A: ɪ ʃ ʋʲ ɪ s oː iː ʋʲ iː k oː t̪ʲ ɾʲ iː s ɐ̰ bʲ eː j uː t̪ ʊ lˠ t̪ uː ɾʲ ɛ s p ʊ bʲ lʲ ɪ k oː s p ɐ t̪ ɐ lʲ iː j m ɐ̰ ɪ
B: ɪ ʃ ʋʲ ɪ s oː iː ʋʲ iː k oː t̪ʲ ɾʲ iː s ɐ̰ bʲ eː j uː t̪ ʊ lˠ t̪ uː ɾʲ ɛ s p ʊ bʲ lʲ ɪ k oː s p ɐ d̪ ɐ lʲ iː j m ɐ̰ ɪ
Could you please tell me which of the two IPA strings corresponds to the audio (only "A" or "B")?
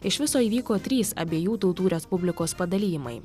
B